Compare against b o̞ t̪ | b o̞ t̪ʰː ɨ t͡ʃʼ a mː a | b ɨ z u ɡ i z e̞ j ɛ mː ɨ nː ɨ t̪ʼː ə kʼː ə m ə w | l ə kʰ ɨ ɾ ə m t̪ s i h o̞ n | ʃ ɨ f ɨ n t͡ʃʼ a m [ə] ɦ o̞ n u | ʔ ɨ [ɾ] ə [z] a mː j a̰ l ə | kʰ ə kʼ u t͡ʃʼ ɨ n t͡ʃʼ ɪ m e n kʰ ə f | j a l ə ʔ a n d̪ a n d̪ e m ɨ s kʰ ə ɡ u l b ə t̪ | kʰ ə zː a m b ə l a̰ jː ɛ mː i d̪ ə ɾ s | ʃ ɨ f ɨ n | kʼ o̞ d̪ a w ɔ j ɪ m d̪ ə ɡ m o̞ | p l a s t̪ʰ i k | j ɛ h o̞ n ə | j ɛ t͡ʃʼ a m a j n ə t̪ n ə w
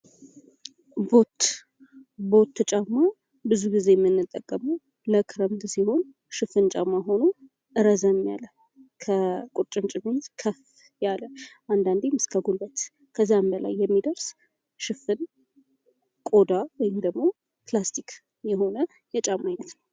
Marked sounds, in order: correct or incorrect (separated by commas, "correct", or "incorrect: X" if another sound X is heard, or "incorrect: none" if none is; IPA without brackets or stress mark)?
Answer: incorrect: a, correct, correct